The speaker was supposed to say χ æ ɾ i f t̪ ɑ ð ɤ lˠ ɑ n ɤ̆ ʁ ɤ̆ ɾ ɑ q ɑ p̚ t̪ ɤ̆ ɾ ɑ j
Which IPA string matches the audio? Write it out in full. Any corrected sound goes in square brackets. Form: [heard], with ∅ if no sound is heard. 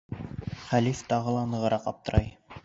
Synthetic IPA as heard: χ æ [l] i f t̪ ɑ [ʁ] ɤ lˠ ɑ n ɤ̆ ʁ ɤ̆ ɾ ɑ q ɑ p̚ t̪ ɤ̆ ɾ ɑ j

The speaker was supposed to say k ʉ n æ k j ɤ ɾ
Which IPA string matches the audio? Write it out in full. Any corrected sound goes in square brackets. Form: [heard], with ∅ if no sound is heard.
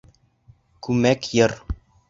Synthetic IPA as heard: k ʉ [m] æ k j ɤ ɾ

